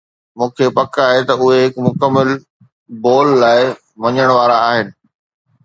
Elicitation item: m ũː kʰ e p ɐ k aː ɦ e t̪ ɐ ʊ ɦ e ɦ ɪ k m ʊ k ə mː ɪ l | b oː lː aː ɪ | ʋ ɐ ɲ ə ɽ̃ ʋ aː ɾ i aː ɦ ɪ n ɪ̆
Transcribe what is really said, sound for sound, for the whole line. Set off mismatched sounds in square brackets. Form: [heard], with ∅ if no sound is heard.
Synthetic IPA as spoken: m ũː kʰ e p ɐ k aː ɦ e t̪ ɐ ʊ ɦ e ɦ ɪ k m ʊ k ə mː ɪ l | b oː lː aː ɪ | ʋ ɐ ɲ ə ɽ̃ ʋ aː ɾ [a] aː ɦ ɪ n ɪ̆